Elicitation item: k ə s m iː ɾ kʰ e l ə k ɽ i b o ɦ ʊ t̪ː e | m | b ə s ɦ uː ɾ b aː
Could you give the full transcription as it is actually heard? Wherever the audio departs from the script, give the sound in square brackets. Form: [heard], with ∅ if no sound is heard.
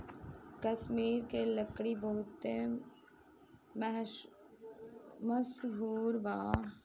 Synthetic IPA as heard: k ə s m iː ɾ [k] e l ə k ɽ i b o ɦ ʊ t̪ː e | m | [m] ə s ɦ uː ɾ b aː